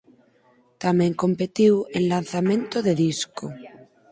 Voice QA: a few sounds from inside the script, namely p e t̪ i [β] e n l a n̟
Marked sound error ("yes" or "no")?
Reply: yes